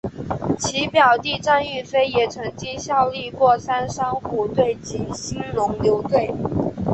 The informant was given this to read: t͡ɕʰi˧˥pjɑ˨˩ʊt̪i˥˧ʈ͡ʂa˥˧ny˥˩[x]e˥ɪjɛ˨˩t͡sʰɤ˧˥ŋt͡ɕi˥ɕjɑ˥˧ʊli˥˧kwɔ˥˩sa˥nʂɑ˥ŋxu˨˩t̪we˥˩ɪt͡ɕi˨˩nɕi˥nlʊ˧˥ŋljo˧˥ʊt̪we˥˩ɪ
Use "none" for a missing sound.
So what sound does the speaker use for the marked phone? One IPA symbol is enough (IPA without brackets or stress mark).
f